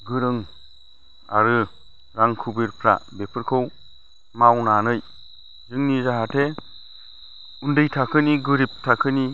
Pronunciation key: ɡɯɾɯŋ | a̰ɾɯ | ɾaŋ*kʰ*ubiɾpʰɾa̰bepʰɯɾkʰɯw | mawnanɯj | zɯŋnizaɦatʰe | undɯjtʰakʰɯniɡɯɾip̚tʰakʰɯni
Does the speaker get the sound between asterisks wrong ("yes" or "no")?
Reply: no